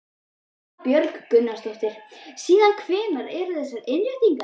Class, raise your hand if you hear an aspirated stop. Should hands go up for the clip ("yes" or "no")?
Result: yes